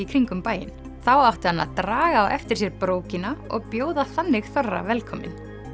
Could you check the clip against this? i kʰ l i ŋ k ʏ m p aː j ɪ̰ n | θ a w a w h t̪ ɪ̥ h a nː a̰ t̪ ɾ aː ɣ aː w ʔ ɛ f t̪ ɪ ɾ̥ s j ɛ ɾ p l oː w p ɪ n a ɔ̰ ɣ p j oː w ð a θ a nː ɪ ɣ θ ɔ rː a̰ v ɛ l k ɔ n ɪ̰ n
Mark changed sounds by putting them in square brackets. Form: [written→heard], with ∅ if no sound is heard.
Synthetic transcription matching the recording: i kʰ [l→ɾ] i ŋ k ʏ m p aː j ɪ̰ n | θ a w a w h t̪ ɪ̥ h a nː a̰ t̪ ɾ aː ɣ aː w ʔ ɛ f t̪ ɪ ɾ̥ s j ɛ ɾ p [l→ɾ] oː w [p→c] ɪ n a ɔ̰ ɣ p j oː w ð a θ a nː ɪ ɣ θ ɔ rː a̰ v ɛ l [k→kʰ] ɔ [n→m] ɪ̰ n